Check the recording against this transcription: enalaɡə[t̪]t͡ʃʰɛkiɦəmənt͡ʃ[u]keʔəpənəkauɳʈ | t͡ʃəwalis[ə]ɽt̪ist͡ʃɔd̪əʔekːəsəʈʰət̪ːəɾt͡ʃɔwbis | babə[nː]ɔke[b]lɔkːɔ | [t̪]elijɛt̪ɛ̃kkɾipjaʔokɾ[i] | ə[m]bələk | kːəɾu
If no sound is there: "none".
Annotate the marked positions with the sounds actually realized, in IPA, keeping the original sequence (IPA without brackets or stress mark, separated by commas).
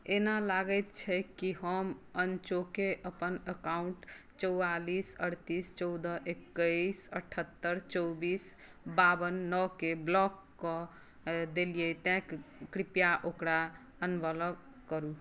t̪, o, ə, nː, b, d̪, a, n